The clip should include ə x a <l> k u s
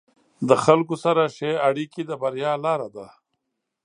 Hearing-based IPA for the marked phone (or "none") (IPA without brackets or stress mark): l